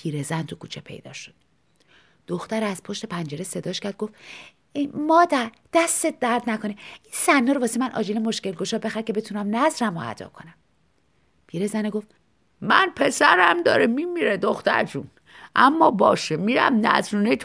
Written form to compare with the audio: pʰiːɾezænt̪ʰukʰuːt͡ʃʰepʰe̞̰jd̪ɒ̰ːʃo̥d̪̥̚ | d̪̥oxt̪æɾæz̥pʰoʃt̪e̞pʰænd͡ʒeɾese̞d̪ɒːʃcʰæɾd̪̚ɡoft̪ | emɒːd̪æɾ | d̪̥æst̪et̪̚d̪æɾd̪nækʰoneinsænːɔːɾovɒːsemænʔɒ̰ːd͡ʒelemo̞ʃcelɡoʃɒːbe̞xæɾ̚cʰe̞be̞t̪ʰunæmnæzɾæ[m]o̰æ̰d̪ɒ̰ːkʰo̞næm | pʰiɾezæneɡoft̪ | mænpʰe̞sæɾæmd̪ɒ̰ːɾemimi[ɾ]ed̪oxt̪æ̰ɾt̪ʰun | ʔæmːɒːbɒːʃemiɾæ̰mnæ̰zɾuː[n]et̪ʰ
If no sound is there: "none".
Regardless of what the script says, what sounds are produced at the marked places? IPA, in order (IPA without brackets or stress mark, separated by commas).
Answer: m, ɾ, n